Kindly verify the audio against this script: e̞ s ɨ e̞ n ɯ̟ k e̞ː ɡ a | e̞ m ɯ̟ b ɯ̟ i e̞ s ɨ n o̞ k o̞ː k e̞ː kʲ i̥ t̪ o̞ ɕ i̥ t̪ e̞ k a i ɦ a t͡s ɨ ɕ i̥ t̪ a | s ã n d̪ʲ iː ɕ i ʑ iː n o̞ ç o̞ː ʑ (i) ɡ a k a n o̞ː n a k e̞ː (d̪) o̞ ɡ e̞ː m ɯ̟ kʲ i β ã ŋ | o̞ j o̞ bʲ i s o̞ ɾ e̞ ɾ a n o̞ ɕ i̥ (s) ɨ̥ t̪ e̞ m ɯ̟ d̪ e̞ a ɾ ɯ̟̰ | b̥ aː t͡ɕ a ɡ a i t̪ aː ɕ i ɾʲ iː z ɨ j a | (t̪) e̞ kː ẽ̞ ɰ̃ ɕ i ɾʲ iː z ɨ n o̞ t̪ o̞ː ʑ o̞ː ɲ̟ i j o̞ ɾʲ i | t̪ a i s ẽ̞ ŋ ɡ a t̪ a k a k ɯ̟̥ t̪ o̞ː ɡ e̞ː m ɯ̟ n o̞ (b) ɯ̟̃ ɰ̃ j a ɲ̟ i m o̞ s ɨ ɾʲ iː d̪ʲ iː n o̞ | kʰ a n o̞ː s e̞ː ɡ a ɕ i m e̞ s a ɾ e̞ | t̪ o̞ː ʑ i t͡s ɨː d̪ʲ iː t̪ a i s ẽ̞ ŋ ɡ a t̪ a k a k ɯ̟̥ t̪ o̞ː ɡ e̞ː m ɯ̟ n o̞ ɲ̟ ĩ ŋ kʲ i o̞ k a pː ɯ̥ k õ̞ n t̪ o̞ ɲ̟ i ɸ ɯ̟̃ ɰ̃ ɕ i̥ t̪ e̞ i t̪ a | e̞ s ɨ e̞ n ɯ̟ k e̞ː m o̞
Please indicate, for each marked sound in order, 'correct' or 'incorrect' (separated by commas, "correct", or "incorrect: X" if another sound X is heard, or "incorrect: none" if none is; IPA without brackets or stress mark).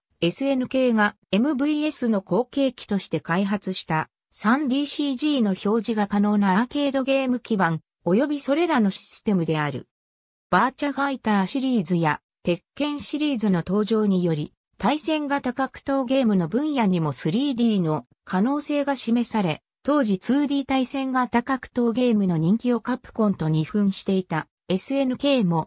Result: correct, correct, correct, correct, correct